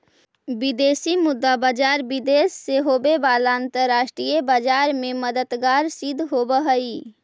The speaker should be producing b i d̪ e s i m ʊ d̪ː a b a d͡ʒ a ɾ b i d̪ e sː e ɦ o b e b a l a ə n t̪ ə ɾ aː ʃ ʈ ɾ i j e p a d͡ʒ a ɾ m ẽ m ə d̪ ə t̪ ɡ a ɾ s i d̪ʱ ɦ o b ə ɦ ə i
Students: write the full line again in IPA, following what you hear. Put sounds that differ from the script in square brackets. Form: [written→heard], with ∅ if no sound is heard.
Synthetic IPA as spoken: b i d̪ e s i m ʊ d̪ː a b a d͡ʒ a ɾ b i d̪ e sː e ɦ o b e b a l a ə n t̪ ə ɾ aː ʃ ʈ ɾ i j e [p→b] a d͡ʒ a ɾ m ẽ m ə d̪ ə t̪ ɡ a ɾ s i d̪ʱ ɦ o b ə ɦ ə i